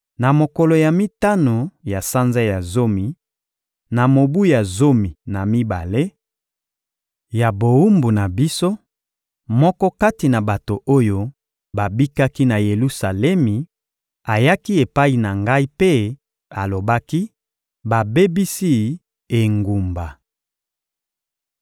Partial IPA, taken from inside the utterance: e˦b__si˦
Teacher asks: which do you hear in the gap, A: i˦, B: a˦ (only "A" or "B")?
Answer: A